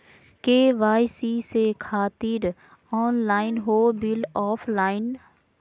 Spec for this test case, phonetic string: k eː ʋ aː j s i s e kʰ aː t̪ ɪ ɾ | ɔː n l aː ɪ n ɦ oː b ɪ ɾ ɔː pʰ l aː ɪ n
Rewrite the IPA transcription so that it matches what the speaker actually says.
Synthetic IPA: k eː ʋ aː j s i s e kʰ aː t̪ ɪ ɾ | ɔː n l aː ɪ n ɦ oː b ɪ l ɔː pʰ l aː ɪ n